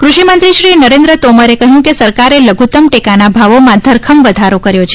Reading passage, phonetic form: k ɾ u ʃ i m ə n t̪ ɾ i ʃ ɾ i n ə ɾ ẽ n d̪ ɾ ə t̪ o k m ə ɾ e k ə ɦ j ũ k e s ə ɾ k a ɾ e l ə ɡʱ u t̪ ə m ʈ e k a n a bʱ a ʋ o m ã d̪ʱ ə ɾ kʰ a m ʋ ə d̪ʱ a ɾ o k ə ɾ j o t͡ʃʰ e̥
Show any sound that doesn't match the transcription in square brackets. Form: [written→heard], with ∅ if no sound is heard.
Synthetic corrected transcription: k ɾ u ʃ i m ə n t̪ ɾ i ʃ ɾ i n ə ɾ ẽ n d̪ ɾ ə t̪ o [k→∅] m ə ɾ e k ə ɦ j ũ k e s ə ɾ k a ɾ e l ə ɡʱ u t̪ ə m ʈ e k a n a bʱ a ʋ o m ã d̪ʱ ə ɾ kʰ [a→ə] m ʋ ə d̪ʱ a ɾ o k ə ɾ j o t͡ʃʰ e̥